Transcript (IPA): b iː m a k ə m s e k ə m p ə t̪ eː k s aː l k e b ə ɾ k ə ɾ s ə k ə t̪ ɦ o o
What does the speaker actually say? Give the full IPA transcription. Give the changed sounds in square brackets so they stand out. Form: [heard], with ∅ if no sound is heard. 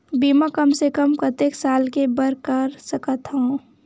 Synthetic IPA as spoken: b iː m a k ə m s e k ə m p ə t̪ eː k s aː l k e b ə ɾ k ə ɾ s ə k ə t̪ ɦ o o